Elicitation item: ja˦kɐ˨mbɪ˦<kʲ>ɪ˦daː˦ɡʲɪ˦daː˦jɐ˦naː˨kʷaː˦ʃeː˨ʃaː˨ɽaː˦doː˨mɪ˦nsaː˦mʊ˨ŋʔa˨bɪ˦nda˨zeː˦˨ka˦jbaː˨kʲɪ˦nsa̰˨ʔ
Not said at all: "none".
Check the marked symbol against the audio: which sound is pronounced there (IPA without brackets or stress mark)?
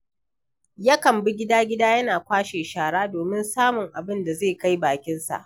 ɡʲ